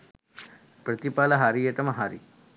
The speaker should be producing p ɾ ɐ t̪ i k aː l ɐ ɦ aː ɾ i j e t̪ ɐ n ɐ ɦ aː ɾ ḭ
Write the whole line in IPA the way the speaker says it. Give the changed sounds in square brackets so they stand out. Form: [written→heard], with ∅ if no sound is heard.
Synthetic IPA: p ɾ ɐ t̪ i [k→p] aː l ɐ ɦ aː ɾ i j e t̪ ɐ [n→m] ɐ ɦ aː ɾ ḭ